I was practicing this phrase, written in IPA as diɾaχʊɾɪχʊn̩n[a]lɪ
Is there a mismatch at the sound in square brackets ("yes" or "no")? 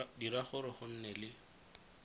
yes